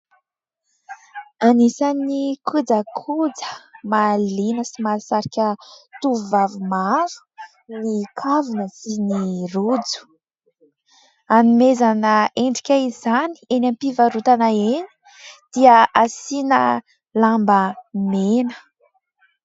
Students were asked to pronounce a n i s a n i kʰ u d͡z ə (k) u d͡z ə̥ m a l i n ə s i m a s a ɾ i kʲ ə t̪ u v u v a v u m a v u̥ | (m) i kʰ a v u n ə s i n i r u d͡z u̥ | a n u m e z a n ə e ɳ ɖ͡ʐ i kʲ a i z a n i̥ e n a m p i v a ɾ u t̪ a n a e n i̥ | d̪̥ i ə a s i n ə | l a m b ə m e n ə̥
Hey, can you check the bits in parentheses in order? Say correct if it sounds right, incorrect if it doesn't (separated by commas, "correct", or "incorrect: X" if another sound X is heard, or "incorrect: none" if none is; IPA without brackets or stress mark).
incorrect: kʰ, incorrect: n